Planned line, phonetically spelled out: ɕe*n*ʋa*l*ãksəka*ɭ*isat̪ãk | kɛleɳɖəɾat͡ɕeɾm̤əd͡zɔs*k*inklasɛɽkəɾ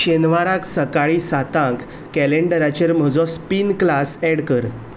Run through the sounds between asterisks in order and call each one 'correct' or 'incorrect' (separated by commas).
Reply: correct, incorrect, correct, incorrect